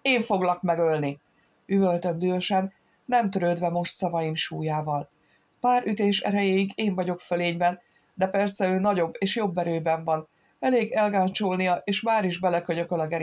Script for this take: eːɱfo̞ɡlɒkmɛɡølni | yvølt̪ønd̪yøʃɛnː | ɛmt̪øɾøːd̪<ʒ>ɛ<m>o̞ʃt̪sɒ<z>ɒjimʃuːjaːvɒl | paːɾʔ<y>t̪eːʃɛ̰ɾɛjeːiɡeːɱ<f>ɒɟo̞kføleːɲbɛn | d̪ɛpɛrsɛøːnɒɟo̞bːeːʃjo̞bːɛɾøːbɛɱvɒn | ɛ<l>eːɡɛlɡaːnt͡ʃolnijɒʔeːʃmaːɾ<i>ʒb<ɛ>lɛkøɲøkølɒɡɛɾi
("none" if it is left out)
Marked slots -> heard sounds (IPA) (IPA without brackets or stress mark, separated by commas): v, m, v, y, v, l, i, ɛ